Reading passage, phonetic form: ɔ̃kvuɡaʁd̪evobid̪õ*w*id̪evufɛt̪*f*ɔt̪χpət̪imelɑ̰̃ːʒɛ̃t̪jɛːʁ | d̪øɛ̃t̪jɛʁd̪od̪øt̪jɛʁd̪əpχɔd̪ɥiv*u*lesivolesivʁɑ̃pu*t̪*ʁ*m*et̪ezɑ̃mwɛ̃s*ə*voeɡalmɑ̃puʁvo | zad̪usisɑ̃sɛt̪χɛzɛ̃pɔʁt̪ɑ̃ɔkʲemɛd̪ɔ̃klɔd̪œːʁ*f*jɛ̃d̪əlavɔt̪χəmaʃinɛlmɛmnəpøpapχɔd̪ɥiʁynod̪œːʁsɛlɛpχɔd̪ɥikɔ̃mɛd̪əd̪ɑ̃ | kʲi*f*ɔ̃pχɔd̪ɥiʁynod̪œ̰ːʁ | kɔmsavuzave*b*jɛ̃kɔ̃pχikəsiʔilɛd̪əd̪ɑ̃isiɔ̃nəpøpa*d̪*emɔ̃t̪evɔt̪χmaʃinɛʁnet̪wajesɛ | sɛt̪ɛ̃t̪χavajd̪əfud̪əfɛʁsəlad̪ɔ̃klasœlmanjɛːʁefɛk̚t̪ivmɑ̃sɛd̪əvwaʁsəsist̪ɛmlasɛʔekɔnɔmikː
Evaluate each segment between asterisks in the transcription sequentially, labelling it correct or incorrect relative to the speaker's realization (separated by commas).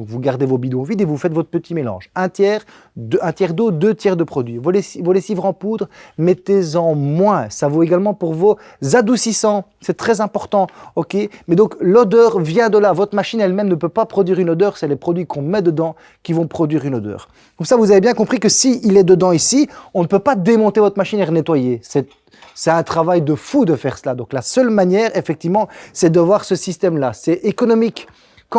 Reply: incorrect, incorrect, incorrect, incorrect, correct, incorrect, incorrect, incorrect, correct, correct